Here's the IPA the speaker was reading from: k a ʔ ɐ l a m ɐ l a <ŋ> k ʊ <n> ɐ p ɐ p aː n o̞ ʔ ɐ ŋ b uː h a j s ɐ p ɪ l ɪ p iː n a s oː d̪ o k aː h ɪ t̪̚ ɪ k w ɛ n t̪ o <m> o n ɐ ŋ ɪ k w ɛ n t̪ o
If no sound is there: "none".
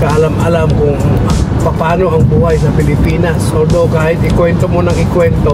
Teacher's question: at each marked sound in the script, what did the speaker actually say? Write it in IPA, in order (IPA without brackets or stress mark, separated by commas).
m, ŋ, m